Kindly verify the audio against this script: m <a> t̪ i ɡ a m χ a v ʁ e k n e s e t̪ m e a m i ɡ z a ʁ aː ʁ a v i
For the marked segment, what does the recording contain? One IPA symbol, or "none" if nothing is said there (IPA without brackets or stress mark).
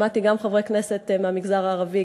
a